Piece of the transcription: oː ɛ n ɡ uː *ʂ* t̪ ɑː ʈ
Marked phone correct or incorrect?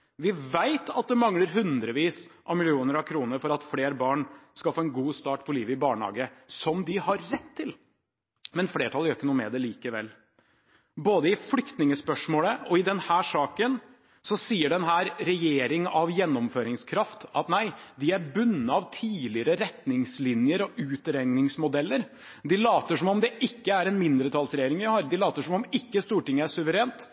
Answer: incorrect